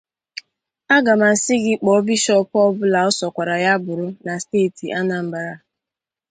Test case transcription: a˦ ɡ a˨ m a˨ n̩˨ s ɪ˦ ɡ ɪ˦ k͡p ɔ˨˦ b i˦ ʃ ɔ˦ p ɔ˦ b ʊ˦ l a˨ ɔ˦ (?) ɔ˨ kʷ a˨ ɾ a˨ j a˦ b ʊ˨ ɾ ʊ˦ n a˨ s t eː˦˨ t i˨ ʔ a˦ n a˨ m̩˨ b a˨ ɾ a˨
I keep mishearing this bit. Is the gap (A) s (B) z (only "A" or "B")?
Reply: A